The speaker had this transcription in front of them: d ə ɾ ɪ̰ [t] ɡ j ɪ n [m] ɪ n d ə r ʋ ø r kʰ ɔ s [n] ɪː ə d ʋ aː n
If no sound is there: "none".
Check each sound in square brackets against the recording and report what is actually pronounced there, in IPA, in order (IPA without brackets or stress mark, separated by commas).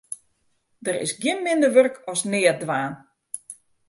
s, m, n